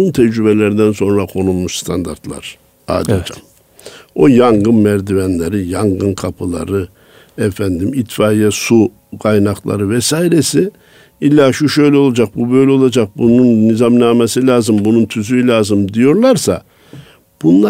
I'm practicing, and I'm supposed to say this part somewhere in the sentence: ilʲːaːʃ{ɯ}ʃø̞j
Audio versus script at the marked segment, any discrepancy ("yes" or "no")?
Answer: yes